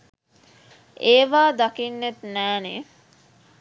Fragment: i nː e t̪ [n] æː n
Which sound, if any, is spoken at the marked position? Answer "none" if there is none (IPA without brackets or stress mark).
n